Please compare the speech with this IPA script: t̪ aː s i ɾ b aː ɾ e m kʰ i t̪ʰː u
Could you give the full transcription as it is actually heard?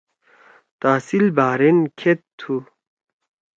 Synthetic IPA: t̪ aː s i l b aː ɾ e n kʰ e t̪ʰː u